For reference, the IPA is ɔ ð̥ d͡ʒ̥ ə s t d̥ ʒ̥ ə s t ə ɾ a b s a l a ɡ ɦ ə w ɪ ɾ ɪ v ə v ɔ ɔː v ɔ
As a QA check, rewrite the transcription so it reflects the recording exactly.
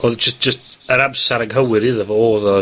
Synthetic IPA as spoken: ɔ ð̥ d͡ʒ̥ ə s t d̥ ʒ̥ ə s t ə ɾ a b s a ɾ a ɡ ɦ ə w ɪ ɾ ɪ ð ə v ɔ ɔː ð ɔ